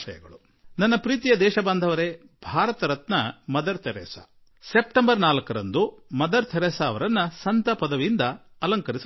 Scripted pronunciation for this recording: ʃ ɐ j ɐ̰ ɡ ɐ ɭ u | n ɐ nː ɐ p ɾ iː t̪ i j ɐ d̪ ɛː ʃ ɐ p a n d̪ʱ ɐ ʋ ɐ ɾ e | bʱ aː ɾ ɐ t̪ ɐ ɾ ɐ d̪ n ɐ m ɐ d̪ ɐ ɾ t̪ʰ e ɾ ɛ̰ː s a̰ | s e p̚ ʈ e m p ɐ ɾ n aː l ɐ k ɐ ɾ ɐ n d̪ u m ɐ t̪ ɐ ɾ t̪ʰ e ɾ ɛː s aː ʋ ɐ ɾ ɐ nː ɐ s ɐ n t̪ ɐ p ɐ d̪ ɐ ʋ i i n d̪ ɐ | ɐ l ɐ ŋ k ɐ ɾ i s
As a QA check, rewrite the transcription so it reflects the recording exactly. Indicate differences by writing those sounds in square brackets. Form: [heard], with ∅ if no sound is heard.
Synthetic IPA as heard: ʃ ɐ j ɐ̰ ɡ ɐ ɭ u | n ɐ nː ɐ p ɾ iː t̪ i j ɐ d̪ ɛː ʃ ɐ [b] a n d̪ʱ ɐ ʋ ɐ ɾ e | bʱ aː ɾ ɐ t̪ ɐ ɾ ɐ [t̪] n ɐ m ɐ d̪ ɐ ɾ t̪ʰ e ɾ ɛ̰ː s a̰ | s e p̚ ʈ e m [b] ɐ ɾ n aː l ɐ k ɐ ɾ ɐ n d̪ u m ɐ [d̪] ɐ ɾ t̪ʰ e ɾ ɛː s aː ʋ ɐ ɾ ɐ nː ɐ s ɐ n t̪ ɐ p ɐ d̪ ɐ ʋ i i n d̪ ɐ | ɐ l ɐ ŋ k ɐ ɾ i s